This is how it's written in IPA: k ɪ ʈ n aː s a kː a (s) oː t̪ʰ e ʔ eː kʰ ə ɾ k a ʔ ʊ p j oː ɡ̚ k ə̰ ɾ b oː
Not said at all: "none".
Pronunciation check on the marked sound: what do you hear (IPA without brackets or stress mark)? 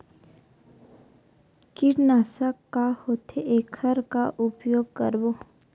h